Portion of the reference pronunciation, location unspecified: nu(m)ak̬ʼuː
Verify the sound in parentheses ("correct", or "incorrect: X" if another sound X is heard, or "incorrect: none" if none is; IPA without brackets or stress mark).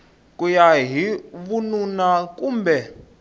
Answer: incorrect: n